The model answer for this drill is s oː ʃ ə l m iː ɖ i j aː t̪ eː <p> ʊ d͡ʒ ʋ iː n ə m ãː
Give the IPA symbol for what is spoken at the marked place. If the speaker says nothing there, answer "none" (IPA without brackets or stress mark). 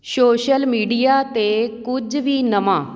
k